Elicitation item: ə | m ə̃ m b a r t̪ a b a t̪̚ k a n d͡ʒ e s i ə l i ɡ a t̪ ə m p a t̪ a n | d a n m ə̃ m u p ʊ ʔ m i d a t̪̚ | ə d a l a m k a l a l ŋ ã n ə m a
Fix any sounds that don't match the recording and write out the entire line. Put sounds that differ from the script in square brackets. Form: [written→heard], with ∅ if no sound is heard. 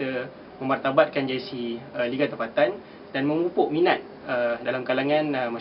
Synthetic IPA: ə | m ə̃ m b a r t̪ a b a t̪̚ k a n d͡ʒ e s i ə l i ɡ a t̪ ə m p a t̪ a n | d a n m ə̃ m u p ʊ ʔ m i [d→n] a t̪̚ | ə d a l a m k a l a [l→∅] ŋ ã n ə m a